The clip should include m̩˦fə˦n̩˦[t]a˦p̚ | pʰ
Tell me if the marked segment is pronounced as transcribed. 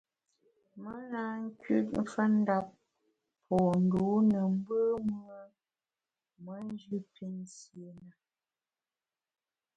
no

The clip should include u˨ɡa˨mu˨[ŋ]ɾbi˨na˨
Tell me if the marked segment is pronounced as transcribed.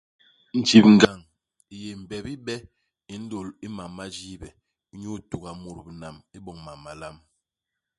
no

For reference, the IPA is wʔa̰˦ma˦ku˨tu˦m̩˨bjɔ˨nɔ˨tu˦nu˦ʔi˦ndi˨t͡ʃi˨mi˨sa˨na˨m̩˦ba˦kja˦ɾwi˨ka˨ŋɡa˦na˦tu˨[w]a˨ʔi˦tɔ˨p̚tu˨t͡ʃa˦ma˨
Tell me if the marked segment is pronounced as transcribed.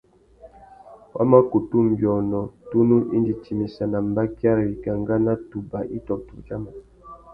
no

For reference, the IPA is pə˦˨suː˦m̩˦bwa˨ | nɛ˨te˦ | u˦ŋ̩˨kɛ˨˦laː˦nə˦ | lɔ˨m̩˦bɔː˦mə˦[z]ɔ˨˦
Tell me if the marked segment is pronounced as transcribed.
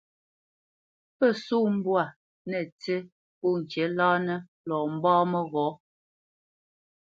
no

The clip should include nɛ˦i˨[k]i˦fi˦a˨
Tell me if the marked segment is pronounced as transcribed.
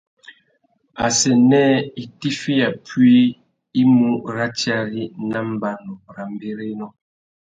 no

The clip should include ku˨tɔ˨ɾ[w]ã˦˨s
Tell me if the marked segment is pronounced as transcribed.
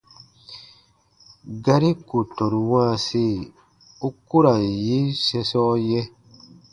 yes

